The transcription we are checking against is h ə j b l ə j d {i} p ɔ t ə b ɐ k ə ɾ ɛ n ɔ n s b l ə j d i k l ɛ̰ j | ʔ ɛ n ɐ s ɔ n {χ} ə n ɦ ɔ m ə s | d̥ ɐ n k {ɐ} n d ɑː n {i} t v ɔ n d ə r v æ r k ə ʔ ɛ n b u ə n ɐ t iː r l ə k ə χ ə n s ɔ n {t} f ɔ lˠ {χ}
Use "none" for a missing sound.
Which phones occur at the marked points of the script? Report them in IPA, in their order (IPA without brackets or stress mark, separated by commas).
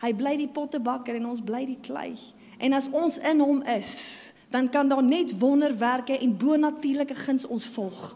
i, s, ɐ, ɛ, s, χ